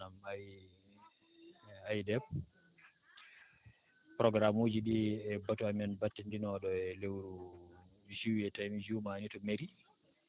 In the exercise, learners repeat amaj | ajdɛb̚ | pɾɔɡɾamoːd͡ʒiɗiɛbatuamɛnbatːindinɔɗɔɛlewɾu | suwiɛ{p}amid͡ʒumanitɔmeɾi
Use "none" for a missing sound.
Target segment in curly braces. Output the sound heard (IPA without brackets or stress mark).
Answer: t